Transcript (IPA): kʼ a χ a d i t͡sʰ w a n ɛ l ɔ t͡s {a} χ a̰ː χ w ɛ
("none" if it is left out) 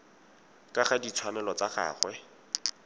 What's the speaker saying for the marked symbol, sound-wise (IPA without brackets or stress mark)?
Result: a